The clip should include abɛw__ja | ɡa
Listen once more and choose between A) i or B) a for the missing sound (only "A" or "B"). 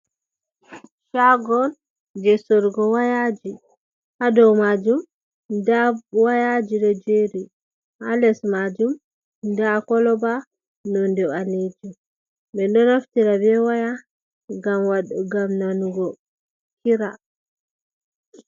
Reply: B